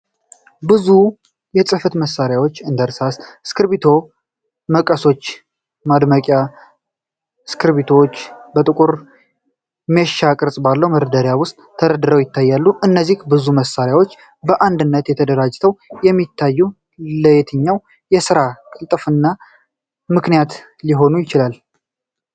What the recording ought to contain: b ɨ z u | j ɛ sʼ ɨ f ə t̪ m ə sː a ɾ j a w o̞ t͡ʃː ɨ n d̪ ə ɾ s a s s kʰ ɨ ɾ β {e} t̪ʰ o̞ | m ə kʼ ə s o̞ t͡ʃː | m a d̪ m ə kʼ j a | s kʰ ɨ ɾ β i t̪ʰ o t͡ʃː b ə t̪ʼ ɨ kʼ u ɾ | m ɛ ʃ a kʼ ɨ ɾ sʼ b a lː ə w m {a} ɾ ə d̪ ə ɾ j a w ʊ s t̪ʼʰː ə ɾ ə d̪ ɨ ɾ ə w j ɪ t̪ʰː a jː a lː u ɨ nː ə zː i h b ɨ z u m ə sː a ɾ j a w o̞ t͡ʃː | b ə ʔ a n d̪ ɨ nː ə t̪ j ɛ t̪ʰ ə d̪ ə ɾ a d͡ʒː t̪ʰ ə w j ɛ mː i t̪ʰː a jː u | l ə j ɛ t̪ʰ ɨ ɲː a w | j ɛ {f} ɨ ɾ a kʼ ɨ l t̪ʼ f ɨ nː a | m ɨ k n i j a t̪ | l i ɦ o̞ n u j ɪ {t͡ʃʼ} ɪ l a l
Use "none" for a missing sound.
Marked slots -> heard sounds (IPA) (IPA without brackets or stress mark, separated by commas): i, ə, s, t͡ʃ